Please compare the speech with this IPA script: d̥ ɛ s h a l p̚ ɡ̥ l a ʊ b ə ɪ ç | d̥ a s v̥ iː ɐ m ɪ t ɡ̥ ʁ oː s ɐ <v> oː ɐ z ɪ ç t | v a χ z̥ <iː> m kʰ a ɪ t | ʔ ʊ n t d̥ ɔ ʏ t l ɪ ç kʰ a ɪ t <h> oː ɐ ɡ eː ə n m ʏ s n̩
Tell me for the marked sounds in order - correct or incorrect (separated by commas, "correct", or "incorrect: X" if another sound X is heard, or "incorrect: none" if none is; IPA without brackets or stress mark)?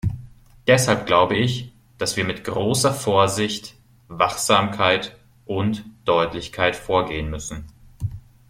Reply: incorrect: f, incorrect: aː, incorrect: f